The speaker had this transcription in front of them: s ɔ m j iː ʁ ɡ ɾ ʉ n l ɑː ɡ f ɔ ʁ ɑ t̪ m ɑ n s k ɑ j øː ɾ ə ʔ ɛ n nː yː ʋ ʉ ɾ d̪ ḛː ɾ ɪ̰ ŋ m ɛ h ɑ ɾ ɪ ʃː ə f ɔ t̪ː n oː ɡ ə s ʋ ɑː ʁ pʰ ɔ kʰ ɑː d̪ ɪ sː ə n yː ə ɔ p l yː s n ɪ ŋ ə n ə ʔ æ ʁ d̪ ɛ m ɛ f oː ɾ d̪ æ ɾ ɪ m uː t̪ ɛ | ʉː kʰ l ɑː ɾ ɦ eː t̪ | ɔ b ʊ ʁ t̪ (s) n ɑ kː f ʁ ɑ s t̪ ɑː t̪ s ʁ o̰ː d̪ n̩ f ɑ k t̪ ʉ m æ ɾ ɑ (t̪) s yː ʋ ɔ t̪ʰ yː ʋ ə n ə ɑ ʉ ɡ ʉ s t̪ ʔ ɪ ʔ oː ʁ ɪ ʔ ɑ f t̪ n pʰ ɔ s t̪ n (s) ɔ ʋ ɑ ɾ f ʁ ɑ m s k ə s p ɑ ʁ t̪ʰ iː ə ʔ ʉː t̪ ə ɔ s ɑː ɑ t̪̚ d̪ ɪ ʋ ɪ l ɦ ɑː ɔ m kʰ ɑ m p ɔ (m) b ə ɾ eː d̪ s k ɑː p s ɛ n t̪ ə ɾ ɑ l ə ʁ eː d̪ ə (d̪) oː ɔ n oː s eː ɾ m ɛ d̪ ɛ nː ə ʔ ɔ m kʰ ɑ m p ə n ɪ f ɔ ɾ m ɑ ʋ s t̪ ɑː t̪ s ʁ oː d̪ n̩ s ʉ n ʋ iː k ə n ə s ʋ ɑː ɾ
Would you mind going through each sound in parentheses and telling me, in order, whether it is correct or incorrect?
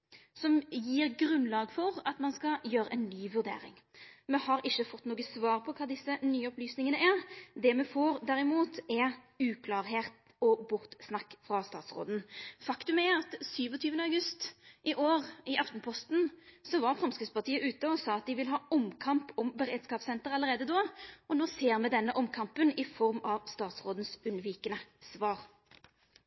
correct, correct, correct, correct, correct

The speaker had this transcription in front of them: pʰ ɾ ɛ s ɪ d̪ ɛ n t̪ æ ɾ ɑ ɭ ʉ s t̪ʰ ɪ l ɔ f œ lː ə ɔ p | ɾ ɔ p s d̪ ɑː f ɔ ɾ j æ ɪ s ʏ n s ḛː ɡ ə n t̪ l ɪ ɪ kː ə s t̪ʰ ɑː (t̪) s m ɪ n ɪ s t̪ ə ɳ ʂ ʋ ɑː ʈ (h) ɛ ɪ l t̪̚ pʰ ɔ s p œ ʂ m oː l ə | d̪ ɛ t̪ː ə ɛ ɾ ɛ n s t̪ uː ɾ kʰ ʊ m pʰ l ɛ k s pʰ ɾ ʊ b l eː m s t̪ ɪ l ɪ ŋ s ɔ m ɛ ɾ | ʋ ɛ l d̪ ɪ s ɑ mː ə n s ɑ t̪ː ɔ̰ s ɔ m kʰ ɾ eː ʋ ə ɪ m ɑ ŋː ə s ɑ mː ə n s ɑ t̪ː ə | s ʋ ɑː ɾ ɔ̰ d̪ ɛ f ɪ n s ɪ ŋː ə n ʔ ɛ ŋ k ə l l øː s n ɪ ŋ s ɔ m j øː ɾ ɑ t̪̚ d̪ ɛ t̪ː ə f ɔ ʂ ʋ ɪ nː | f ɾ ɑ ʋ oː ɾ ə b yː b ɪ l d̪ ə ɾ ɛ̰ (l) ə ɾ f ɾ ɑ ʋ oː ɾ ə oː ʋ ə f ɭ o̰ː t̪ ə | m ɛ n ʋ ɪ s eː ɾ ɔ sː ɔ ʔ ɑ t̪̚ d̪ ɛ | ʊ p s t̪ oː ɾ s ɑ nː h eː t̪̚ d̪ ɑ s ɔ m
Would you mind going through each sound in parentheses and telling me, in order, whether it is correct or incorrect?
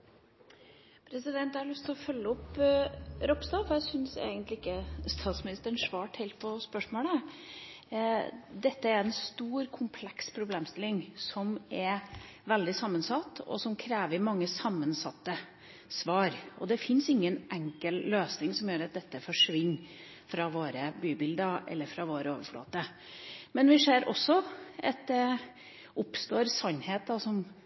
correct, correct, incorrect: lː

